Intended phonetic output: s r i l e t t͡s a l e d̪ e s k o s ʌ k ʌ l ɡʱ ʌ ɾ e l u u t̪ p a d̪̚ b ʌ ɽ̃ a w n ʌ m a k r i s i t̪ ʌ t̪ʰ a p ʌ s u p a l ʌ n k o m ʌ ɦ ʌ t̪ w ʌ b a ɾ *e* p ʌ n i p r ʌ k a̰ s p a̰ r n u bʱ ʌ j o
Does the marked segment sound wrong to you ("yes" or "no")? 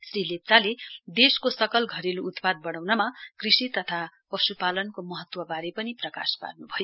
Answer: no